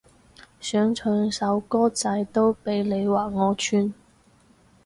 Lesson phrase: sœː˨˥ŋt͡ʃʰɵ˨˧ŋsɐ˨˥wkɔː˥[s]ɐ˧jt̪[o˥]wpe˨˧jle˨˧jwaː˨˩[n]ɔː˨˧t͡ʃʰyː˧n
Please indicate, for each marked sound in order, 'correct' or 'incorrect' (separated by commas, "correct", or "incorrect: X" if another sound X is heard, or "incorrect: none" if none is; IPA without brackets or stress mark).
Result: incorrect: t͡s, correct, incorrect: ŋ